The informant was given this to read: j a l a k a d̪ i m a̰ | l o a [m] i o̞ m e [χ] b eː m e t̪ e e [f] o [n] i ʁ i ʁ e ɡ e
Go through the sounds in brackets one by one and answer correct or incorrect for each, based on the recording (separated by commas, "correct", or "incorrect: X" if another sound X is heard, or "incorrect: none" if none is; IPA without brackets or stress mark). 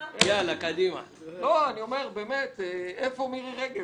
incorrect: n, incorrect: ʁ, correct, incorrect: m